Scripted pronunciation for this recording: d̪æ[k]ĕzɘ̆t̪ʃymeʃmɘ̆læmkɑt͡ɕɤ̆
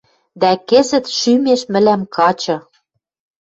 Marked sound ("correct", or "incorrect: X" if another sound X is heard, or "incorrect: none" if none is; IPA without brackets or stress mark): correct